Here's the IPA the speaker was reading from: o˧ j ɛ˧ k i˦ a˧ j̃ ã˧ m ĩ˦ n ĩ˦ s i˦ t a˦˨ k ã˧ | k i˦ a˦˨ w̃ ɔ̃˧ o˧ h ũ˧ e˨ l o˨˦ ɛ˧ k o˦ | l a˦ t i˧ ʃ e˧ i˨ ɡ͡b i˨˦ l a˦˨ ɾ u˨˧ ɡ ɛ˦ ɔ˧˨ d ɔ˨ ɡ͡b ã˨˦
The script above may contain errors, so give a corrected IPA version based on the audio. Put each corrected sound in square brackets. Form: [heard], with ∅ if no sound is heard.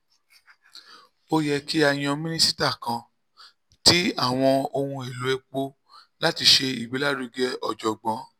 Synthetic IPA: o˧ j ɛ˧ k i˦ a˧ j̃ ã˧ m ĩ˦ n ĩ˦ s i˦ t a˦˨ k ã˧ | [t] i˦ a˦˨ w̃ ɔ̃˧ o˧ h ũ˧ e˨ l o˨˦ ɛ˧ [k͡p] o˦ | l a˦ t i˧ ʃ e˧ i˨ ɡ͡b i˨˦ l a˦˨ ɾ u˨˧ ɡ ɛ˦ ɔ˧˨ [d͡ʒ] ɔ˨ ɡ͡b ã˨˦